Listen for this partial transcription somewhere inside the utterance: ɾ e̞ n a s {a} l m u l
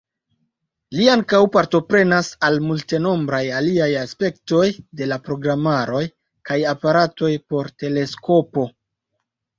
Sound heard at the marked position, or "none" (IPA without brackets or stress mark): a